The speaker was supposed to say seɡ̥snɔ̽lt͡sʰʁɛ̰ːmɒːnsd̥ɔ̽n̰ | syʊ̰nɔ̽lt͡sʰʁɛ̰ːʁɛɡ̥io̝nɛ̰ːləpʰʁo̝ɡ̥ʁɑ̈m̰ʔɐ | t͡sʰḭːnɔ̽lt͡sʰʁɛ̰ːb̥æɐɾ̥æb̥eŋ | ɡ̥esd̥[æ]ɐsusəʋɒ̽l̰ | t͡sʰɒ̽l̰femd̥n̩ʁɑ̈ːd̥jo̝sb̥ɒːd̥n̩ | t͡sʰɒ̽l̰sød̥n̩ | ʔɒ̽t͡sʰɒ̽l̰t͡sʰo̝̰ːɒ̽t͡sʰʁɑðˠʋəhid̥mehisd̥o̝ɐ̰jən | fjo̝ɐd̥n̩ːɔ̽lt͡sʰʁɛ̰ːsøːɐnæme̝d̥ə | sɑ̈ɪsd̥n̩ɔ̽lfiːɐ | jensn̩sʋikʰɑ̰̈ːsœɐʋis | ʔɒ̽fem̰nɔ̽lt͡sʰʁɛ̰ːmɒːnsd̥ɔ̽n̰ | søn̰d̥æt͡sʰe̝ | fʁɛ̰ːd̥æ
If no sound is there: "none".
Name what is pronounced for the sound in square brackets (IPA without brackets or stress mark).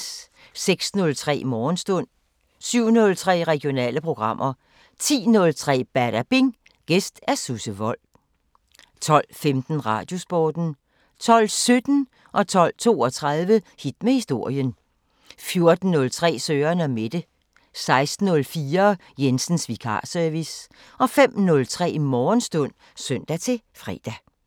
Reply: æ